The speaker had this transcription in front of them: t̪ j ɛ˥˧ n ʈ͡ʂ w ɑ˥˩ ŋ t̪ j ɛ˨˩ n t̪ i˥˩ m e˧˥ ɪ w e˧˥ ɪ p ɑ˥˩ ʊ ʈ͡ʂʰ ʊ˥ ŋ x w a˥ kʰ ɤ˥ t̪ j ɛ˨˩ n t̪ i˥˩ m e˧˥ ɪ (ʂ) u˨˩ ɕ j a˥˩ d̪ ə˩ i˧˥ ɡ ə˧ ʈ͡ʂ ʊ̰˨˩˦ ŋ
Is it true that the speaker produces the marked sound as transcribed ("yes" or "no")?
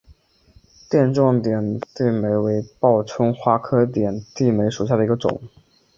yes